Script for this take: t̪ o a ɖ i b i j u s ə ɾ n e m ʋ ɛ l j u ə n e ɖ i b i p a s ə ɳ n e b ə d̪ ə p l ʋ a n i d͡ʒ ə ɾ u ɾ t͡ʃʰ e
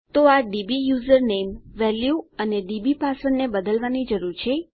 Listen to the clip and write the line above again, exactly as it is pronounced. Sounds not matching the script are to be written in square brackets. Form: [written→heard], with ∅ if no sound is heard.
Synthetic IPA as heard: t̪ o a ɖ i b i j u [s→z] ə ɾ n e m ʋ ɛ l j u ə n e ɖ i b i p a s ə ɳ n e b ə d̪ ə [p→∅] l ʋ a n i d͡ʒ ə ɾ u ɾ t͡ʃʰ e